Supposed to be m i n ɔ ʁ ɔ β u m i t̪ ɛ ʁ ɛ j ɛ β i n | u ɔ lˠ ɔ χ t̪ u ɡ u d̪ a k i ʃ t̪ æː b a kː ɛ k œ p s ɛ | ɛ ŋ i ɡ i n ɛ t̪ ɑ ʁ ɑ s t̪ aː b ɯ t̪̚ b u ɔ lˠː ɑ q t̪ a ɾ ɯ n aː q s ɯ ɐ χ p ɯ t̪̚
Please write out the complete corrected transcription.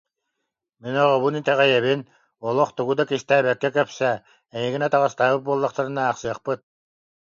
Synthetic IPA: m i n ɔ ʁ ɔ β u n i t̪ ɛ ʁ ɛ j ɛ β i n | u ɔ lˠ ɔ χ t̪ u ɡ u d̪ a k i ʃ t̪ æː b ɛ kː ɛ k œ p s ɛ | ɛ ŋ i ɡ i n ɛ t̪ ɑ ʁ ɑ s t̪ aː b ɯ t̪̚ b u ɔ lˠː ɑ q t̪ a ɾ ɯ n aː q s ɯ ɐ χ p ɯ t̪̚